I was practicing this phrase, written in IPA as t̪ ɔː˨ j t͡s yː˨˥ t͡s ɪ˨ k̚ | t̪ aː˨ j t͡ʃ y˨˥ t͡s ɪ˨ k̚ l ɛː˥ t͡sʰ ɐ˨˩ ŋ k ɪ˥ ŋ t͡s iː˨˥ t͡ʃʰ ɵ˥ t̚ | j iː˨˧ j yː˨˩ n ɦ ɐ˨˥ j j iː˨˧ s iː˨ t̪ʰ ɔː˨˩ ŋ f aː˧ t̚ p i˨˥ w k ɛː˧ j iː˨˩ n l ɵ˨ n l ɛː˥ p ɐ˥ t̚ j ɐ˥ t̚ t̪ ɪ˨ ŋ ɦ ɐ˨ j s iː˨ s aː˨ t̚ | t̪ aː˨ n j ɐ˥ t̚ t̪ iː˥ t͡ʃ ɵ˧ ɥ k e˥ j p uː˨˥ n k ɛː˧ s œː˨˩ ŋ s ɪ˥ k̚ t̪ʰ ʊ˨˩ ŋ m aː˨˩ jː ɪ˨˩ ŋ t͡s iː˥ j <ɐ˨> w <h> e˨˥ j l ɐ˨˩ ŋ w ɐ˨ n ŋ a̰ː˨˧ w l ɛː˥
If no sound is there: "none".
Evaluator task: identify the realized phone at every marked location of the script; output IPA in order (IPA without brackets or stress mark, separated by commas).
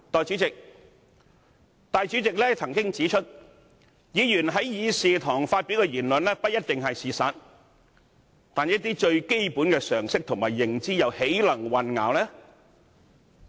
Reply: ɐ˨, h